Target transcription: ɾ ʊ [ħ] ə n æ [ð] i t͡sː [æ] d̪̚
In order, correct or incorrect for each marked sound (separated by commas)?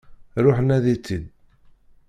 correct, correct, incorrect